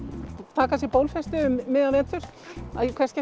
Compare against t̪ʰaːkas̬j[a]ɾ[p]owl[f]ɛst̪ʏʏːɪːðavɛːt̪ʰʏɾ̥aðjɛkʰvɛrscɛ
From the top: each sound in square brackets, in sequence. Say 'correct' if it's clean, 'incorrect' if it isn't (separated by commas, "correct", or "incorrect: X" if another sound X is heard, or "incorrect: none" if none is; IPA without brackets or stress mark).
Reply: incorrect: ɛ, correct, correct